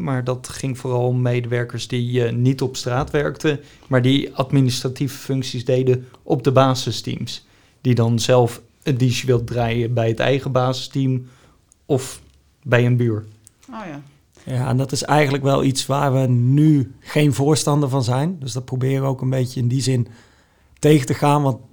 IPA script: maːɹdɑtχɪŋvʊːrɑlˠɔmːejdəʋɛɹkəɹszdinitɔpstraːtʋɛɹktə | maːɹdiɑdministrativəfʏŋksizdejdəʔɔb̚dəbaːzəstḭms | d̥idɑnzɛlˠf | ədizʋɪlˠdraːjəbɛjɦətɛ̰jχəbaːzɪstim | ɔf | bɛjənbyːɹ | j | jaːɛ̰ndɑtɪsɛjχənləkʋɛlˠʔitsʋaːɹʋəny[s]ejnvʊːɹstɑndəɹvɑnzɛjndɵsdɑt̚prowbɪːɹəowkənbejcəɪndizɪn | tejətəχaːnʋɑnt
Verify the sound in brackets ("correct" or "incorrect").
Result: incorrect